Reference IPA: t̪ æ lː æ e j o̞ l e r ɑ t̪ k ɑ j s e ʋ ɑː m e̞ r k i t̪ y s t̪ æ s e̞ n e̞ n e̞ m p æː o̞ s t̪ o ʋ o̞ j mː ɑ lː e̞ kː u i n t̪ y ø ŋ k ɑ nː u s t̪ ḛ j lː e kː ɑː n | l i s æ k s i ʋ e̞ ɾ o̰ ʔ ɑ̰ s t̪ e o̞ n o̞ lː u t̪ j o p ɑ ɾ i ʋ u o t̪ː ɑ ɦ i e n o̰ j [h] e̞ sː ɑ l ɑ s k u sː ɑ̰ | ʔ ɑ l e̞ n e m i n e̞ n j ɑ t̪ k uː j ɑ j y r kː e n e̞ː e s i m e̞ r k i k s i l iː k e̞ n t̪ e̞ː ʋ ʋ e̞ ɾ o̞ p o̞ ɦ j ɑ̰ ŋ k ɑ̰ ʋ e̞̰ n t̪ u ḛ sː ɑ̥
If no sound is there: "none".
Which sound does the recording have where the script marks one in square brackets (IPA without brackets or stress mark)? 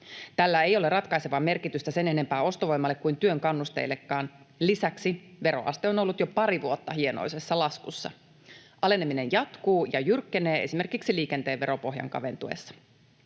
s